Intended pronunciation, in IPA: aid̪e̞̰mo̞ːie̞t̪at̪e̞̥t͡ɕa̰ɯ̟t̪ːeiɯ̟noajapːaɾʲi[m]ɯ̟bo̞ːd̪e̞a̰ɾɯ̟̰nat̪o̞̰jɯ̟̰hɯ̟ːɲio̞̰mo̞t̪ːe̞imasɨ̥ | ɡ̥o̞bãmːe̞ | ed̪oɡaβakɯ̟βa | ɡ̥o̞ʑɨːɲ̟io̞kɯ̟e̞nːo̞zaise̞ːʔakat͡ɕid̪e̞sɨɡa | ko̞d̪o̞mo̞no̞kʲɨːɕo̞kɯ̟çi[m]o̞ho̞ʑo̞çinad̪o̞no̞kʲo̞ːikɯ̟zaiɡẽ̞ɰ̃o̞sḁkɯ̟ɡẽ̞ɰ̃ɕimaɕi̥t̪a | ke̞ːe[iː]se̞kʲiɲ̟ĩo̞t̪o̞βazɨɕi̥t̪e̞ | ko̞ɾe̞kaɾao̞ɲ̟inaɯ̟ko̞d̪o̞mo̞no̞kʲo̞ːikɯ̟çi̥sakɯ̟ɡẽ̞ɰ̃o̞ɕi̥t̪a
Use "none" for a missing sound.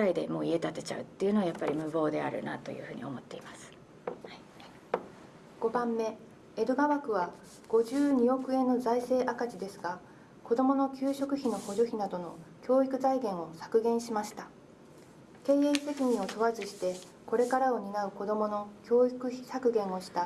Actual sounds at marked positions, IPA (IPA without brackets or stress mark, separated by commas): m, n, i